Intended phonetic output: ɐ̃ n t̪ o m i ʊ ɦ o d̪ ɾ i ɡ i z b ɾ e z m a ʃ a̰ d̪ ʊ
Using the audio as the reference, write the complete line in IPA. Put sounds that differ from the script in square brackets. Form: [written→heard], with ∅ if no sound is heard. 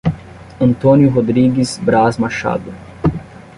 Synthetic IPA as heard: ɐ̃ n t̪ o [m→n] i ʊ ɦ o d̪ ɾ i ɡ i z b ɾ [e→a] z m a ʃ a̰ d̪ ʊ

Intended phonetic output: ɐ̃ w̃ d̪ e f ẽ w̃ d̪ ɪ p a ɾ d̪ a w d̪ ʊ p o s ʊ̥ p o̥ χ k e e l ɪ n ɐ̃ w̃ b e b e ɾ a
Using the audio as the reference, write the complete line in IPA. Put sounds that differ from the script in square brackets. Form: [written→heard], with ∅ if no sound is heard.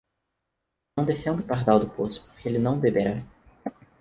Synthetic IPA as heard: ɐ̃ w̃ d̪ e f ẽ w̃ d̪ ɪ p a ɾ d̪ a w d̪ ʊ p o s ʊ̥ p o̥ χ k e e l ɪ n ɐ̃ w̃ b e b e ɾ a

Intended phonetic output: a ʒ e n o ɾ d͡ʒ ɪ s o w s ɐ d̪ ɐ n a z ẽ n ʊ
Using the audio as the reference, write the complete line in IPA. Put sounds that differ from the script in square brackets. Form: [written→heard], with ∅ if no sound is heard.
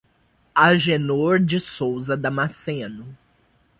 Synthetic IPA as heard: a ʒ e n o ɾ d͡ʒ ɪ s o w [s→z] ɐ d̪ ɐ [n→m] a [z→s] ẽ n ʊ

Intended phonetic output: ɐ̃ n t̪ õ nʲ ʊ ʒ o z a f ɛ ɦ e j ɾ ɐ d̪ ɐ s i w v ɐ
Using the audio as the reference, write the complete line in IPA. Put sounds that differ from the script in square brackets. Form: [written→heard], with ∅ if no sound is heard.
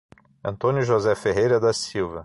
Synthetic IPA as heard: ɐ̃ n t̪ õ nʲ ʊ ʒ o z [a→ɛ] f [ɛ→e] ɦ e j ɾ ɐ d̪ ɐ s i w v ɐ

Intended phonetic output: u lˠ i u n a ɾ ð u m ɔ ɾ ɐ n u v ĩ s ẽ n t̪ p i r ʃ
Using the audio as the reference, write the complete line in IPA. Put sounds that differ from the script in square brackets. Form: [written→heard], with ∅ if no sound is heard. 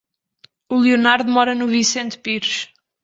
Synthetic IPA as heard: u lˠ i u n a ɾ ð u m ɔ ɾ ɐ n u v ĩ s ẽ n t̪ p i [r→ɾ] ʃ

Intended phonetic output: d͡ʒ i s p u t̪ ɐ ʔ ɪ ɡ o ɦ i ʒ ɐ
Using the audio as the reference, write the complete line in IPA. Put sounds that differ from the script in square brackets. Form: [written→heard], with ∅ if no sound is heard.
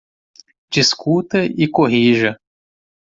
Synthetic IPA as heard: d͡ʒ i s [p→k] u t̪ ɐ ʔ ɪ [ɡ→k] o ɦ i ʒ ɐ

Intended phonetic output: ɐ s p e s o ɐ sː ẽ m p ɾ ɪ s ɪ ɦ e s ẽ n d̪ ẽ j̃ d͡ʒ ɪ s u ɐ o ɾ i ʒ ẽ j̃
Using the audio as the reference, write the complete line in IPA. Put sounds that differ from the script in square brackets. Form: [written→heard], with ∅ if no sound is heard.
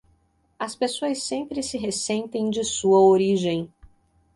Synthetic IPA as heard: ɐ s p e s o ɐ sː ẽ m p ɾ ɪ s ɪ ɦ e s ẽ n [d̪→t̪] ẽ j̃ d͡ʒ ɪ s u ɐ o ɾ i ʒ ẽ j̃

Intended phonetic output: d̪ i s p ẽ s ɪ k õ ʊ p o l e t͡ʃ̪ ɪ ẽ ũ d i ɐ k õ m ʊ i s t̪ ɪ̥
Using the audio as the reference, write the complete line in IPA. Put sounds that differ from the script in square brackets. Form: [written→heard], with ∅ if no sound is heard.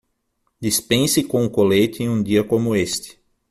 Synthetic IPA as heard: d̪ i s p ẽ s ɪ k õ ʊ [p→k] o l e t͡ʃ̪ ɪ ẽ ũ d i ɐ k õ m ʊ [i→e] s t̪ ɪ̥

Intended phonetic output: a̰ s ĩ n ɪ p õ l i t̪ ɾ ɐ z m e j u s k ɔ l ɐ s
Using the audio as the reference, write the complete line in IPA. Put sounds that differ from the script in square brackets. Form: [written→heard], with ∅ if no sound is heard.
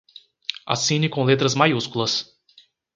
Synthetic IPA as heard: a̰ s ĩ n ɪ [p→k] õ l [i→e] t̪ ɾ ɐ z m [e→a] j u s k [ɔ→u] l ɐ s

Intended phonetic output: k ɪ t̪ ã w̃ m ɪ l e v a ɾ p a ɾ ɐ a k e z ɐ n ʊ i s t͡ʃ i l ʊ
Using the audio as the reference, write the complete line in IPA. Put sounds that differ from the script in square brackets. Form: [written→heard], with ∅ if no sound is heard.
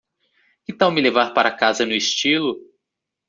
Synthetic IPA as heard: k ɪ t̪ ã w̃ m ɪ l e v a ɾ p a ɾ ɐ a k [e→a] z ɐ n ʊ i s t͡ʃ i l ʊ

